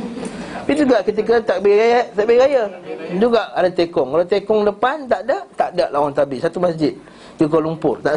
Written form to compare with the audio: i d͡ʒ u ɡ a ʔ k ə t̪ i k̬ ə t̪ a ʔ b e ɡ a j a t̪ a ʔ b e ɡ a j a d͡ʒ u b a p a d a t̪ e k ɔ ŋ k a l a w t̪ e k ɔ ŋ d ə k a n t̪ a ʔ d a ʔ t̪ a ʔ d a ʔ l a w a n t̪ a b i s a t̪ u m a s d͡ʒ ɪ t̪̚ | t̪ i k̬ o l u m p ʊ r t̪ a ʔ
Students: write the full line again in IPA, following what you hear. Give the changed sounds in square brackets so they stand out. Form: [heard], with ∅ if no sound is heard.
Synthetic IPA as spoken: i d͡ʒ u ɡ a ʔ k ə t̪ i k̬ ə t̪ a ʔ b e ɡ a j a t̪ a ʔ b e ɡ a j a d͡ʒ u [ɡ] a [ʔ] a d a t̪ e k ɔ ŋ k a l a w t̪ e k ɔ ŋ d ə [p] a n t̪ a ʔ d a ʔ t̪ a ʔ d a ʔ l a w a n t̪ a b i s a t̪ u m a s d͡ʒ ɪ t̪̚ | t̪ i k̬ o l u m p ʊ r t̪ a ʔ